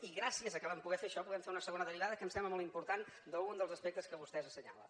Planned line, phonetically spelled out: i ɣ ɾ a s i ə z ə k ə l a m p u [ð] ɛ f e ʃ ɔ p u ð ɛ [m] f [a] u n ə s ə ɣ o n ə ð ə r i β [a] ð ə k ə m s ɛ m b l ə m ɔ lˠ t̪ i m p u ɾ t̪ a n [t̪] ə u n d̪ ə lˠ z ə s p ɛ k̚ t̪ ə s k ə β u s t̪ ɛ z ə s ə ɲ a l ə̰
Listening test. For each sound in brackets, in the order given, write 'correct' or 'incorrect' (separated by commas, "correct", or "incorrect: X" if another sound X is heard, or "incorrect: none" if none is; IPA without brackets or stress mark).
incorrect: ɣ, correct, incorrect: e, correct, incorrect: d̪